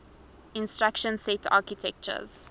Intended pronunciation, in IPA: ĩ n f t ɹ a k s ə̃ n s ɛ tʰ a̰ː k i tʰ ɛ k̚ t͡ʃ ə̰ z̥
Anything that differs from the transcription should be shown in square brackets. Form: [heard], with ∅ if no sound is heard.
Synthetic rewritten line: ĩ n [s] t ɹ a k [ʃ] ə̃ n s ɛ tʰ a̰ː k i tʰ ɛ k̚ t͡ʃ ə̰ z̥